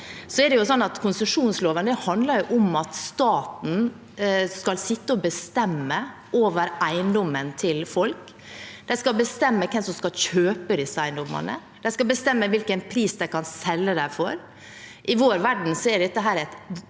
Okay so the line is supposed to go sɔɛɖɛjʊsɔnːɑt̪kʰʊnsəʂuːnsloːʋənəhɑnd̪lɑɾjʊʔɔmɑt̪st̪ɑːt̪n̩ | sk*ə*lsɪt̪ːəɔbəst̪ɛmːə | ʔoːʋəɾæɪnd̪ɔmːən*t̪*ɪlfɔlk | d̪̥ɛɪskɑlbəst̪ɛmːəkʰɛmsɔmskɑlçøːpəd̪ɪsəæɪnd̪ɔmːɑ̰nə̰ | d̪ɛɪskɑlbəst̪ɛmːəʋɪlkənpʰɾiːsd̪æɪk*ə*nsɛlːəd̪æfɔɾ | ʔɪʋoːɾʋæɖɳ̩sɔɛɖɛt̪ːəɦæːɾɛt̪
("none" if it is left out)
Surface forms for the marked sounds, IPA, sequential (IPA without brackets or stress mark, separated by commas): ɑ, t̪ʰ, ɑ